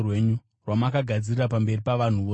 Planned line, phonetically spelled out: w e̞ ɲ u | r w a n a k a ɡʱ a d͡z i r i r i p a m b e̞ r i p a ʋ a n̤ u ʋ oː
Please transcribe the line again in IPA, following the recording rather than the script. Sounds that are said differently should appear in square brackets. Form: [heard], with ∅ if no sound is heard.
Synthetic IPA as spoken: w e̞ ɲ u | r w a [m] a k a ɡʱ a d͡z i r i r [a] p a m b e̞ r i p a ʋ a n̤ u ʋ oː